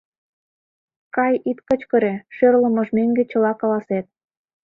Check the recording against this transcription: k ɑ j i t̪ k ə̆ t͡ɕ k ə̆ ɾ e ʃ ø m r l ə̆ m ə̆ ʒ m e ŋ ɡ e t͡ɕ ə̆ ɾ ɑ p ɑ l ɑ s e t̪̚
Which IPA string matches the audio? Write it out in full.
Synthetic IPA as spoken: k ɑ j i t̪ k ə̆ t͡ɕ k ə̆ ɾ e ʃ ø r l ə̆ m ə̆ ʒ m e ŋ ɡ e t͡ɕ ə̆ l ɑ k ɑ l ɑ s e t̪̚